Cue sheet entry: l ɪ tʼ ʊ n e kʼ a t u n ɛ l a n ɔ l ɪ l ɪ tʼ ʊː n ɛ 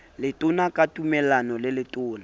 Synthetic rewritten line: l ɪ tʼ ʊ n a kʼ a t u m ɛ l a n ɔ l ɪ l ɪ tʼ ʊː n a